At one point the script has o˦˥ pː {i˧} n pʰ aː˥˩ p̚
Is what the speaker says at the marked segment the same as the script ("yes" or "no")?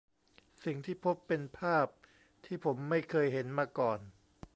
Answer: no